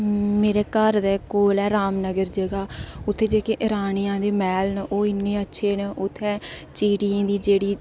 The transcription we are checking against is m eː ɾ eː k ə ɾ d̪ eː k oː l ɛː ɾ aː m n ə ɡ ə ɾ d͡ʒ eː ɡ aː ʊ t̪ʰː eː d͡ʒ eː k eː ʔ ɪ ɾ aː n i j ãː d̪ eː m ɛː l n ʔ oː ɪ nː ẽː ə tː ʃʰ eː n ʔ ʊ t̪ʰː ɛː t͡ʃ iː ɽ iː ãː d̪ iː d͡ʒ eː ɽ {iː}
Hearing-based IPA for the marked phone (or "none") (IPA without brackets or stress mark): iː